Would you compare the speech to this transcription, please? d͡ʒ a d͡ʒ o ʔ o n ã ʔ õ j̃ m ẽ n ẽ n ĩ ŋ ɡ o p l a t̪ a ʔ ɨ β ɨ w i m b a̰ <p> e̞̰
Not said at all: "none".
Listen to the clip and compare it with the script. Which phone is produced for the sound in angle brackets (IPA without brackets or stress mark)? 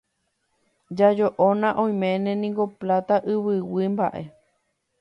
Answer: ʔ